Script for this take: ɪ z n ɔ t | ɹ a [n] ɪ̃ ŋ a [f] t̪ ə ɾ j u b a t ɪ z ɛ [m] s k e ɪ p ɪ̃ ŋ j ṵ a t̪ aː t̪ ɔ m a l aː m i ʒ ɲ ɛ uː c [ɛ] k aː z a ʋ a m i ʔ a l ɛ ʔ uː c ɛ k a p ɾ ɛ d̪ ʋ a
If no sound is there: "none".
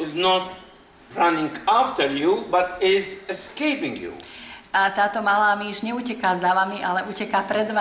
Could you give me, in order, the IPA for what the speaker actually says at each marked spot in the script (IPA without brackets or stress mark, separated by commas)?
n, f, none, ɛ